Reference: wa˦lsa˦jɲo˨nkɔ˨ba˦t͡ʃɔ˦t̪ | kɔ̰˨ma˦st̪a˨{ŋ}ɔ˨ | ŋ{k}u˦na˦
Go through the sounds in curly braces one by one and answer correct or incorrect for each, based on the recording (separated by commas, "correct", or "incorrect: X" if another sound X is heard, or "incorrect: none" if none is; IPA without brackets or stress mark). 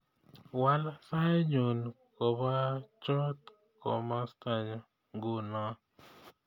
incorrect: ɲ, incorrect: ɡ